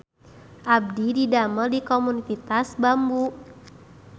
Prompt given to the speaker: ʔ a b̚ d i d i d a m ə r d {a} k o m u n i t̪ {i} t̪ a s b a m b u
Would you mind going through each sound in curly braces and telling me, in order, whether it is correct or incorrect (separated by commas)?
incorrect, correct